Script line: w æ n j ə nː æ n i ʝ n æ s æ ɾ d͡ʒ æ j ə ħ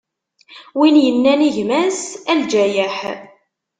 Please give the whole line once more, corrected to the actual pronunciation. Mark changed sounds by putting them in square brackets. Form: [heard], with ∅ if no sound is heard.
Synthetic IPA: w [i] n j ə nː æ n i ʝ [m] æ s æ [l] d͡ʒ æ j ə ħ